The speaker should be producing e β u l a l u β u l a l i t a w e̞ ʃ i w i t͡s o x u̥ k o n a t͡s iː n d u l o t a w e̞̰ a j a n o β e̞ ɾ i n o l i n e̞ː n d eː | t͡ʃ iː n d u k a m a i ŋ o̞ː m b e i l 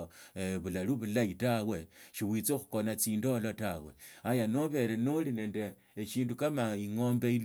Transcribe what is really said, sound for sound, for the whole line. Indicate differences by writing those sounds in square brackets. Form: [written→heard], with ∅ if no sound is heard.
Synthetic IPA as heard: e β u l a l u β u l a [l→∅] i t a w e̞ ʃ i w i t͡s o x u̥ k o n a t͡s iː n d [u→o] l o t a w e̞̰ a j a n o β e̞ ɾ [i→e] n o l i n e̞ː n d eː | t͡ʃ iː n d u k a m a i ŋ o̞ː m b e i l